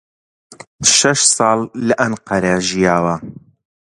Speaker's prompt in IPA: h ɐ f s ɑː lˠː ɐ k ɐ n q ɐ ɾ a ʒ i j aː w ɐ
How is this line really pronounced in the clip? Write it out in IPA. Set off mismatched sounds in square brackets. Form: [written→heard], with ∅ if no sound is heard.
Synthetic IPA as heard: [h→ʃ] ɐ [f→ʃ] s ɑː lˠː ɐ [k→ʔ] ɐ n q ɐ ɾ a ʒ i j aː w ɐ